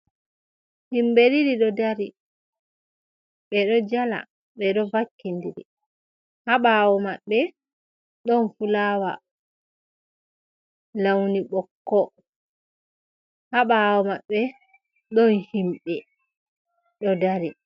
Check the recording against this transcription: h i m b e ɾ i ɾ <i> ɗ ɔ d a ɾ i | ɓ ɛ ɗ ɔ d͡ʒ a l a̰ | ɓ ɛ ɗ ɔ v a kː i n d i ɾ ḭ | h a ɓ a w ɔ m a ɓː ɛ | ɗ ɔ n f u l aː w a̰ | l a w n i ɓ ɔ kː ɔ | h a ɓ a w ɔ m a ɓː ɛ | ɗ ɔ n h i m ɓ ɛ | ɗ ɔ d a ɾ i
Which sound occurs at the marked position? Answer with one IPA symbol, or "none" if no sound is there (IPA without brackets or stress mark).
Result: i